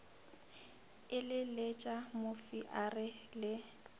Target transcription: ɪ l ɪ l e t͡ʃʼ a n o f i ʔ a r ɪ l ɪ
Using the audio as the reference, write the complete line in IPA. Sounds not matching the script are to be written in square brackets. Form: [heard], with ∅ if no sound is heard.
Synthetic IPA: ɪ l ɪ l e t͡ʃʼ a [m] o f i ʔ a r ɪ l ɪ